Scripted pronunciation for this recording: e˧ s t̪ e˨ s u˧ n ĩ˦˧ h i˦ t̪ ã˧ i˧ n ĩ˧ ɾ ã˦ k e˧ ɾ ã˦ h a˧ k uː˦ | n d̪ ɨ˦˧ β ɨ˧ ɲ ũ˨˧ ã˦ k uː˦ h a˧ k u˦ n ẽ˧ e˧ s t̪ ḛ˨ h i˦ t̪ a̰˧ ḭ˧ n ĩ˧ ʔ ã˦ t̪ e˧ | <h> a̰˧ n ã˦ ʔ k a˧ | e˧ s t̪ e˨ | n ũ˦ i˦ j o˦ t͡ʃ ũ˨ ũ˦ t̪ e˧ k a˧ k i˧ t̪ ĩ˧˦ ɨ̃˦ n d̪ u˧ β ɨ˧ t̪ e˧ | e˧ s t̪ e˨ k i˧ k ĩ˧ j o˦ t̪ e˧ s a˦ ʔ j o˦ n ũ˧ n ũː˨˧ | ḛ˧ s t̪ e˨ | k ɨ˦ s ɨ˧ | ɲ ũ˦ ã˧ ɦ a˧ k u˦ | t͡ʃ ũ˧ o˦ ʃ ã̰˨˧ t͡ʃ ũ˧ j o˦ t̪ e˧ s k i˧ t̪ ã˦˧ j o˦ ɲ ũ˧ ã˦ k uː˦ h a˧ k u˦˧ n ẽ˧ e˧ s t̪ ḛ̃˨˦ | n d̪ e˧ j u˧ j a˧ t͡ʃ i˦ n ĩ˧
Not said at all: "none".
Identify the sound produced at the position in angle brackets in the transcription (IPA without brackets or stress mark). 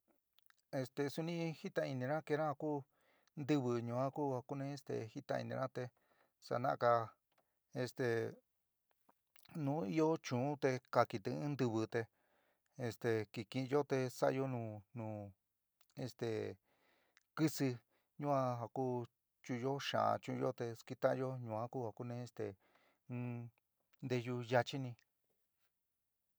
s